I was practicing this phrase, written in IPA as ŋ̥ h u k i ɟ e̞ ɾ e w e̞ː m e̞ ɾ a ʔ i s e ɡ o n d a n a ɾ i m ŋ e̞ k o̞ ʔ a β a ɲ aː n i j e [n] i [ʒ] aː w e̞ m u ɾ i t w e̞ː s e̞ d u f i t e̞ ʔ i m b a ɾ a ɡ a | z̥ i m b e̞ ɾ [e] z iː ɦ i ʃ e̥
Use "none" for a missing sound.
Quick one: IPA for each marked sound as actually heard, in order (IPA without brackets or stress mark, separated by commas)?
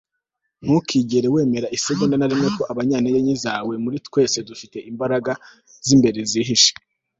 ɲ, z, e